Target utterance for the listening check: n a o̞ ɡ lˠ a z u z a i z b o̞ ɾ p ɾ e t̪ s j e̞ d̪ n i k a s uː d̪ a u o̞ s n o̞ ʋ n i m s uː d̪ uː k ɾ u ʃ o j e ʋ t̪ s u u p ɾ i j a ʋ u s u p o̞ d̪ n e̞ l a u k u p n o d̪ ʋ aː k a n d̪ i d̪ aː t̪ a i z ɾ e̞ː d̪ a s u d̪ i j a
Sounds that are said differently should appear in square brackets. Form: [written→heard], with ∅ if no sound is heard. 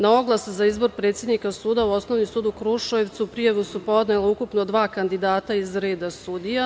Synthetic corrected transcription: n a o̞ ɡ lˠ a [z→s] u z a i z b o̞ ɾ p ɾ e t̪ s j e̞ d̪ n i k a s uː d̪ a u o̞ s n o̞ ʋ n i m s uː d̪ [uː→u] k ɾ u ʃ o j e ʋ t̪ s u u p ɾ i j a ʋ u s u p o̞ d̪ n e̞ l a u k u p n o d̪ ʋ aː k a n d̪ i d̪ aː t̪ a i z ɾ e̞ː d̪ a s u d̪ i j a